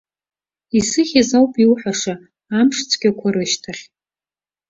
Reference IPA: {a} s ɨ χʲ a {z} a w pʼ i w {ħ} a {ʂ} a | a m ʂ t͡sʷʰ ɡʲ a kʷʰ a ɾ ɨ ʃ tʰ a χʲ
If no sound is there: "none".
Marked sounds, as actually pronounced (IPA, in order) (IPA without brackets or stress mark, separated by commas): i, z, ħ, ʂ